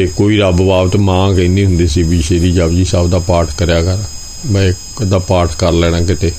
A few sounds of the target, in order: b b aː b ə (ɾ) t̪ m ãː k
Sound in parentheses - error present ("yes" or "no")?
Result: yes